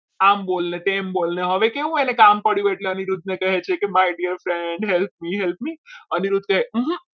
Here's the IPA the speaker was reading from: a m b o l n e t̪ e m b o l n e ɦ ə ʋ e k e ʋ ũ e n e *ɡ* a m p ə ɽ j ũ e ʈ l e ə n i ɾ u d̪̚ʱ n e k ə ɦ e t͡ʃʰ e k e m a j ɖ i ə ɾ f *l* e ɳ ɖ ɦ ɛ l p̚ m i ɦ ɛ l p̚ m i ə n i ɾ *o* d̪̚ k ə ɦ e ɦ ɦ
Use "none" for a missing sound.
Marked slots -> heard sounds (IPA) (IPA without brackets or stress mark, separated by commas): k, ɾ, u